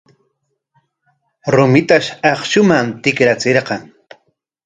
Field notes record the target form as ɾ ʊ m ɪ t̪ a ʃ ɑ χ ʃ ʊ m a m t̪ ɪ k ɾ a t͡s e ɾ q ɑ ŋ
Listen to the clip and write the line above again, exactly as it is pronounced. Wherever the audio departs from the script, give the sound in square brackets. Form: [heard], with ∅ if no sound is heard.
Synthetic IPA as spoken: ɾ ʊ m ɪ t̪ a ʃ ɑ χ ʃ ʊ m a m t̪ ɪ k ɾ a t͡s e ɾ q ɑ ŋ